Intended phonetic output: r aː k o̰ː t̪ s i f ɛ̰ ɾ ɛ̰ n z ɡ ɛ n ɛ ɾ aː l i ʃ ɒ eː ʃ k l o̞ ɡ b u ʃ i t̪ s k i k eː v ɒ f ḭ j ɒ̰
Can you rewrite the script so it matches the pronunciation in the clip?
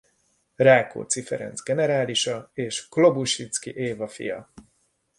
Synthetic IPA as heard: r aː k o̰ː t̪ s i f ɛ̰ ɾ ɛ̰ n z ɡ ɛ n ɛ ɾ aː l i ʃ ɒ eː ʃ k l o̞ b u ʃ i t̪ s k i ʔ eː v ɒ f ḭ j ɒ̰